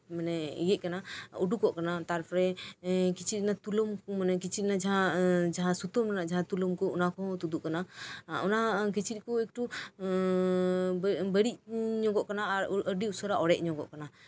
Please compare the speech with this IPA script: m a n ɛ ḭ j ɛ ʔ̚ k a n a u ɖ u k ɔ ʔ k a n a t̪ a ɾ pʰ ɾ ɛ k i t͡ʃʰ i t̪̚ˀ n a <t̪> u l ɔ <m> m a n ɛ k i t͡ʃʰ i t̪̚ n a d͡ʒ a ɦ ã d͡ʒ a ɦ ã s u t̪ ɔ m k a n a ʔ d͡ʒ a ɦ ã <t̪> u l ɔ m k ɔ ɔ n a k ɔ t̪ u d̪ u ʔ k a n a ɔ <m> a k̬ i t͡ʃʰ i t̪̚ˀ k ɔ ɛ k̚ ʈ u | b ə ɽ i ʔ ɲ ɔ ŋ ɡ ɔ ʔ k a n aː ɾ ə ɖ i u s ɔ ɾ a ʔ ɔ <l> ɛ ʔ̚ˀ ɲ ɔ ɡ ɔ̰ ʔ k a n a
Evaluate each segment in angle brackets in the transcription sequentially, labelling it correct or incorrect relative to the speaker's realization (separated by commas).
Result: correct, correct, correct, incorrect, incorrect